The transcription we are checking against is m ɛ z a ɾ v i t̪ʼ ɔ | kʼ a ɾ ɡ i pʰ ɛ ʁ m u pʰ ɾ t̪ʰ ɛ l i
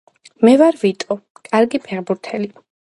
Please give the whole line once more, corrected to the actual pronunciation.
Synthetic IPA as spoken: m ɛ v a ɾ v i t̪ʼ ɔ | kʼ a ɾ ɡ i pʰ ɛ ʁ b u ɾ t̪ʰ ɛ l i